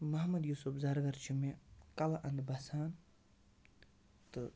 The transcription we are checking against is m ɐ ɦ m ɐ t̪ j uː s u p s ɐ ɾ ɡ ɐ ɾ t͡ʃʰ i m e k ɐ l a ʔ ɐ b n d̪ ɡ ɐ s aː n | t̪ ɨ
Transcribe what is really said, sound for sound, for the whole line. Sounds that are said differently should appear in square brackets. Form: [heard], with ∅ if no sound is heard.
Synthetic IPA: m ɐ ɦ m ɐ [d̪] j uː s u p [z] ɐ ɾ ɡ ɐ ɾ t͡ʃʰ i m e k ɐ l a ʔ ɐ [∅] n d̪ [b] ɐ s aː n | t̪ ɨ